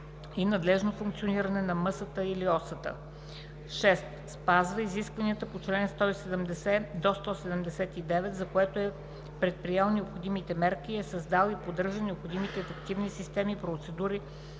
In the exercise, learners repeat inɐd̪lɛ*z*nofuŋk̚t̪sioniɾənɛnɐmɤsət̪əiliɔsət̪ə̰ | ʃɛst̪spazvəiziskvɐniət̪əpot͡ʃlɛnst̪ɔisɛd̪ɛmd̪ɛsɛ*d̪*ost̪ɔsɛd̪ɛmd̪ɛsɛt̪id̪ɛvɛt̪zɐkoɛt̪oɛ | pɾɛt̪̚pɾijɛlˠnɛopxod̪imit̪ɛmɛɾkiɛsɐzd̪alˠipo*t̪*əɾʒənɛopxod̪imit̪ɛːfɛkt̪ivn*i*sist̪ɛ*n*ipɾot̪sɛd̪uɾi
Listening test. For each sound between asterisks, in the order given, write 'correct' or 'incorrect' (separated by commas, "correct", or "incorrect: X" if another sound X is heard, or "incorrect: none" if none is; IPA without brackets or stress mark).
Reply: incorrect: ʒ, correct, incorrect: d̪, correct, incorrect: m